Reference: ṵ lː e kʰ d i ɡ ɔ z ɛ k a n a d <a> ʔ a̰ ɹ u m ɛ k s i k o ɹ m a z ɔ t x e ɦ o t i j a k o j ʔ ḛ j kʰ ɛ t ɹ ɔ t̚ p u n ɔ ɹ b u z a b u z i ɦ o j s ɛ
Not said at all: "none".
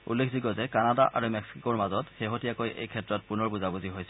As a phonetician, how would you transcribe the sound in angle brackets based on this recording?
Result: a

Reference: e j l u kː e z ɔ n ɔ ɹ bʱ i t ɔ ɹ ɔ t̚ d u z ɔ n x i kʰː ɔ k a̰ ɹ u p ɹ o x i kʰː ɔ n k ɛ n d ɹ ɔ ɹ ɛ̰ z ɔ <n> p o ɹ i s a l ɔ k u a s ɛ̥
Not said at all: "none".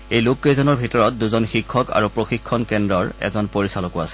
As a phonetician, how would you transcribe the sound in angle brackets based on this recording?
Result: n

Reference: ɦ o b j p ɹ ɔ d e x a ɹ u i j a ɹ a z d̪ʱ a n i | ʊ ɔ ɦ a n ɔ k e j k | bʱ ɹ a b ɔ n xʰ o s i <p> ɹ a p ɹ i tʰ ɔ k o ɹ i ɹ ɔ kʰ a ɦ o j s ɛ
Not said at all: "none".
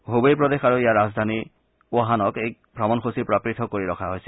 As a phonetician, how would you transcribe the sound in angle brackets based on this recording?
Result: p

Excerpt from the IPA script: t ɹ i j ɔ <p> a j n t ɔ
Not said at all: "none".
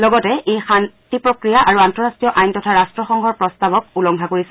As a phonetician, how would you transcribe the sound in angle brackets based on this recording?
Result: ʔ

